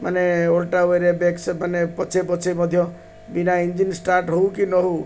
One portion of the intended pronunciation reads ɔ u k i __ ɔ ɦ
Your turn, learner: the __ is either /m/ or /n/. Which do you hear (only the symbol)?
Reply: n